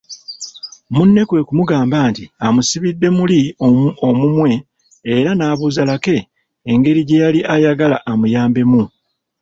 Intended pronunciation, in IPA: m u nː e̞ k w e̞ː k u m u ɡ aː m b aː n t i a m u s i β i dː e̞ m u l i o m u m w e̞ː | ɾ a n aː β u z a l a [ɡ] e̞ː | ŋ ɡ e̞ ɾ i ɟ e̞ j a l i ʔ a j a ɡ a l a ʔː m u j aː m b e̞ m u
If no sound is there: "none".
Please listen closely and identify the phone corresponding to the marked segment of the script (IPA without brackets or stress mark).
k